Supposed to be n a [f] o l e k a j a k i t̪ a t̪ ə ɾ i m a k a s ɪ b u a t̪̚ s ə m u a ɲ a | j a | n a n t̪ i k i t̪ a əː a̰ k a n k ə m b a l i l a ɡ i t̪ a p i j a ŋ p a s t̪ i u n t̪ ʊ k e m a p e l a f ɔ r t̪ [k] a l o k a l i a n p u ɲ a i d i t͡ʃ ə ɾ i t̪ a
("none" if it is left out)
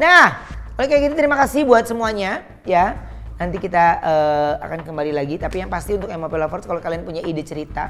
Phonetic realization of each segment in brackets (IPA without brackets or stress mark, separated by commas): h, k